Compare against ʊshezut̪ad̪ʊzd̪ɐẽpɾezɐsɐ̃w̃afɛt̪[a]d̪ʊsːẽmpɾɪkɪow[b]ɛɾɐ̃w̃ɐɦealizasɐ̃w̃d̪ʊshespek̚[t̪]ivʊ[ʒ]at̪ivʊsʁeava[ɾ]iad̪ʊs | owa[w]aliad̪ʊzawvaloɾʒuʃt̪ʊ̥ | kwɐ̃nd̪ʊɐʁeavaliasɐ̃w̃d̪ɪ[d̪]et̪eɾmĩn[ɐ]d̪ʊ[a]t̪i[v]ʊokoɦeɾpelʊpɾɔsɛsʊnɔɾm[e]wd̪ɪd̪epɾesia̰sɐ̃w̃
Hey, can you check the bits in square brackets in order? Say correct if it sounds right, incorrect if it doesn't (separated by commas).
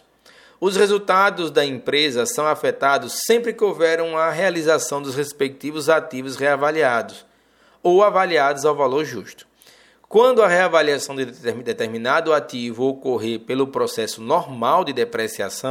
correct, incorrect, correct, incorrect, incorrect, incorrect, correct, incorrect, correct, correct, incorrect